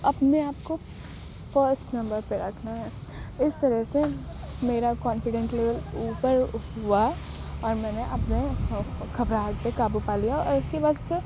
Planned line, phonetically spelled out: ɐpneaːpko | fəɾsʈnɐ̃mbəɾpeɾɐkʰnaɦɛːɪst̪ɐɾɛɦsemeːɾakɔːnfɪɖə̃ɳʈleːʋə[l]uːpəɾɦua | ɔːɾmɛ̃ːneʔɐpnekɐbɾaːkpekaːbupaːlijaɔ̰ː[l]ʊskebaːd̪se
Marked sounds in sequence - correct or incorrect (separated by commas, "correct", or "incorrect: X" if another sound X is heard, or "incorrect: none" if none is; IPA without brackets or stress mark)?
correct, incorrect: ɾ